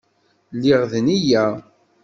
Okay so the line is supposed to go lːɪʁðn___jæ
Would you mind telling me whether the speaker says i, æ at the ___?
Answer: i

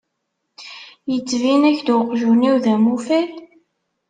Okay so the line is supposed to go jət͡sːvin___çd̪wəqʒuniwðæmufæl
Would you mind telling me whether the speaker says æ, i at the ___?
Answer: æ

